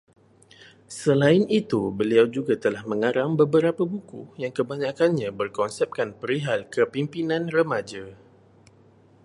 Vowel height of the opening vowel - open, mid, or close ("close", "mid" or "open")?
mid